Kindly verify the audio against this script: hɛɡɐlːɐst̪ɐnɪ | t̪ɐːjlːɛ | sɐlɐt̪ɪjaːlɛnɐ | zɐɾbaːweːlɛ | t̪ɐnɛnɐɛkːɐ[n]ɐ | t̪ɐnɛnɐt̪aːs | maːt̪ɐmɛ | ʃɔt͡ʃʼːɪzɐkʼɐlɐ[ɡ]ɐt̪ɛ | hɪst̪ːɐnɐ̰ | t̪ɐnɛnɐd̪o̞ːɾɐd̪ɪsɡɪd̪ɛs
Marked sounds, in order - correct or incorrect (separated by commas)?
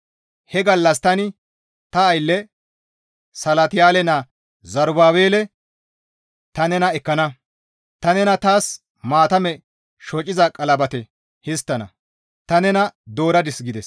correct, incorrect